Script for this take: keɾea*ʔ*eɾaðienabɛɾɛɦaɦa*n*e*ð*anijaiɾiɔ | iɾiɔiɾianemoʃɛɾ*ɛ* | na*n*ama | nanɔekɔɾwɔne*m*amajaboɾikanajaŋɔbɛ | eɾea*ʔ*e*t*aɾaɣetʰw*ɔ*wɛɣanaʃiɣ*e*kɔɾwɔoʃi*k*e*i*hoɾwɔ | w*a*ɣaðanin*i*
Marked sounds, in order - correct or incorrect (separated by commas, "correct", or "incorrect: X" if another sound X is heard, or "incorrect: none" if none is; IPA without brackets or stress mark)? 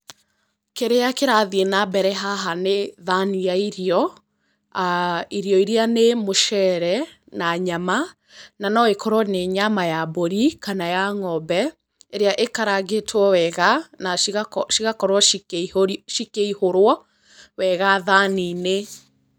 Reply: incorrect: k, correct, correct, correct, incorrect: ɲ, incorrect: ɲ, correct, incorrect: k, correct, incorrect: a, correct, correct, incorrect: ɛ, incorrect: e